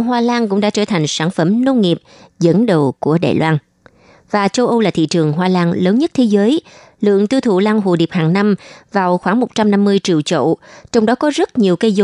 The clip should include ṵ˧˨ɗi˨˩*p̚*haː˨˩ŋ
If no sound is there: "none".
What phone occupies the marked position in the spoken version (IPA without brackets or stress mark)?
p̚